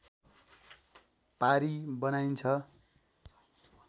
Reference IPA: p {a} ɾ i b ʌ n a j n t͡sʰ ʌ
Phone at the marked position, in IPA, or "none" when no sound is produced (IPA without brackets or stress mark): a